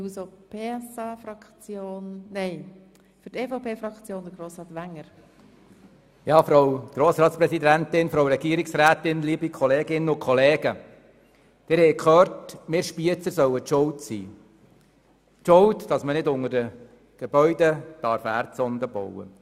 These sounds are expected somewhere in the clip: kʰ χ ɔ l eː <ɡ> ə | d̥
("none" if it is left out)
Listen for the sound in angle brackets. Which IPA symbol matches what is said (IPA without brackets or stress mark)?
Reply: ɡ